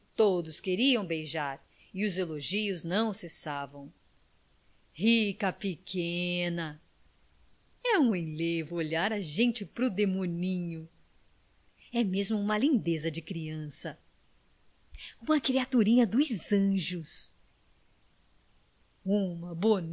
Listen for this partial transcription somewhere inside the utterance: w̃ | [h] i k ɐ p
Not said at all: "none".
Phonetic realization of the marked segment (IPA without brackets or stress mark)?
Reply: h